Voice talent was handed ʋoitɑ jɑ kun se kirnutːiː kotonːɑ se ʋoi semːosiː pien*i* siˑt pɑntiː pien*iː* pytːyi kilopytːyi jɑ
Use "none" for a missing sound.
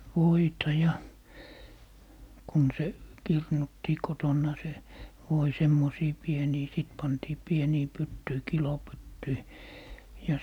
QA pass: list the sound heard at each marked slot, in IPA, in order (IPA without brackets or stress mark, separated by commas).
iː, iː